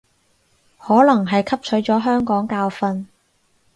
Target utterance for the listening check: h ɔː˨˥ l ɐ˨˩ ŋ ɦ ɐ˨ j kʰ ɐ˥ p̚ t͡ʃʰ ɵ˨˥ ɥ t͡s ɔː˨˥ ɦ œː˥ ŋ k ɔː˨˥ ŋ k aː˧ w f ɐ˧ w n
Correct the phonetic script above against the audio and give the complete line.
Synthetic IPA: h ɔː˨˥ l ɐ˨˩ ŋ ɦ ɐ˨ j kʰ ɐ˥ p̚ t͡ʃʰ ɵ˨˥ ɥ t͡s ɔː˨˥ ɦ œː˥ ŋ k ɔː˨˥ ŋ k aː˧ w f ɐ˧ n